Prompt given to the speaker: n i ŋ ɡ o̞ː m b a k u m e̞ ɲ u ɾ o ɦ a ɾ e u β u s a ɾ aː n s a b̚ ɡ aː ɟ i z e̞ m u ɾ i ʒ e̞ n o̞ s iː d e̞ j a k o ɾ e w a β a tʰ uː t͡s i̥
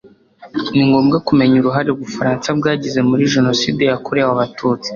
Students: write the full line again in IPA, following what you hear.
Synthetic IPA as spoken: n i ŋ ɡ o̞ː m ɡ a k u m e̞ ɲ u ɾ u ɦ a ɾ e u β u f a ɾ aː n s a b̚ ɡ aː ɟ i z e̞ m u ɾ i ʒ e̞ n o̞ s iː d e̞ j a k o ɾ e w a β a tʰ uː t͡s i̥